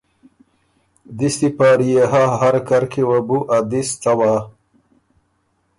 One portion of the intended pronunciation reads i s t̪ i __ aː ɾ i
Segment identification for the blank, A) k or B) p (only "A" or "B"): B